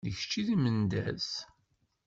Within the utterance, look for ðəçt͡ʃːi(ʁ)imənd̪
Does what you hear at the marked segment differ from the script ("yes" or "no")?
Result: yes